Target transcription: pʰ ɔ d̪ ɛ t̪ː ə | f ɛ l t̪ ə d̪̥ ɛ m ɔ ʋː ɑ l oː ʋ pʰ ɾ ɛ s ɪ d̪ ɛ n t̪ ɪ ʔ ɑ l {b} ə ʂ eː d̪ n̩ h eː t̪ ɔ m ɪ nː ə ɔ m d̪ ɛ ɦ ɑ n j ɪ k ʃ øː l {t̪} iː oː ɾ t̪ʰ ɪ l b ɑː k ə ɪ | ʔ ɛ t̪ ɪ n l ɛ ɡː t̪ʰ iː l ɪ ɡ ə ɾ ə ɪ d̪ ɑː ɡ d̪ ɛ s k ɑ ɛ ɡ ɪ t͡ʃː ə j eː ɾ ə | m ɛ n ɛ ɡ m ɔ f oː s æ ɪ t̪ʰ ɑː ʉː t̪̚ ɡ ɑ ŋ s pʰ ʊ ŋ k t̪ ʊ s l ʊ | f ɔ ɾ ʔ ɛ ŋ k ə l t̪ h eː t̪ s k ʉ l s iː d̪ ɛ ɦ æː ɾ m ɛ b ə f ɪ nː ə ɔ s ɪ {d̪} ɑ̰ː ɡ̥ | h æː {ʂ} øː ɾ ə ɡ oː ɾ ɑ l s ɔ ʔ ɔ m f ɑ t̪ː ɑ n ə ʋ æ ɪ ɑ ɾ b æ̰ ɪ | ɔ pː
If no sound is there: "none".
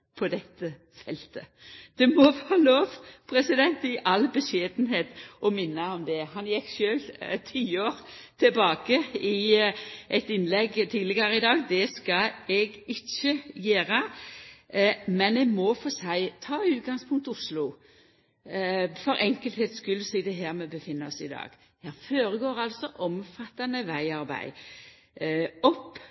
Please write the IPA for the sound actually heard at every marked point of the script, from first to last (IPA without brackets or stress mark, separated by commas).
b, t̪ʰ, d̪, f